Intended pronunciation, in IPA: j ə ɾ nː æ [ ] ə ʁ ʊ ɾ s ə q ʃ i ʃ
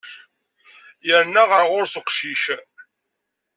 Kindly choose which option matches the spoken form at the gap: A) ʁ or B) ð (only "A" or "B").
A